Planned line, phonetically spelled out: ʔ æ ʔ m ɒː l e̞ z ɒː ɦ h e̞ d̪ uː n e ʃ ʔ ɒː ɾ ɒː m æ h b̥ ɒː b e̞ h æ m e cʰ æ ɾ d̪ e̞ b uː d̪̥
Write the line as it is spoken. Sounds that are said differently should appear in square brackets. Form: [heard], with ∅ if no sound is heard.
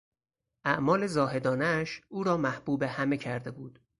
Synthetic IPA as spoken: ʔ æ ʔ m ɒː l e̞ z ɒː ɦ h e̞ d̪ [ɒː] n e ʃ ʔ [uː] ɾ ɒː m æ h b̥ [uː] b e̞ h æ m e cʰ æ ɾ d̪ e̞ b uː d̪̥